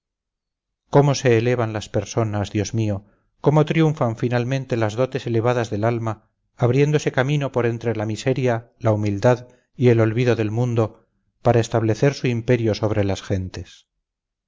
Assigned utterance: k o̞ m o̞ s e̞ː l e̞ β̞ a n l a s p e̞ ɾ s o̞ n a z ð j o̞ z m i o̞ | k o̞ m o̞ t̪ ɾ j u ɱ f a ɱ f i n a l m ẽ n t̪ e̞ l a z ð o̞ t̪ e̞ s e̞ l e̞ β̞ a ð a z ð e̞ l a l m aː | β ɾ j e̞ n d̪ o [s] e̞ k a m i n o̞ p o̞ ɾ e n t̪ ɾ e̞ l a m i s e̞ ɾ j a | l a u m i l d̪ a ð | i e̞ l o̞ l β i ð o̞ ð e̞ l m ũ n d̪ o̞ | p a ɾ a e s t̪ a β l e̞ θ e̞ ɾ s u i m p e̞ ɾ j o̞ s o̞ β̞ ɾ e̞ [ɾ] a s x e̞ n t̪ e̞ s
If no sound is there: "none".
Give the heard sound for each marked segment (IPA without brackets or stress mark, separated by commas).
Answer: s, l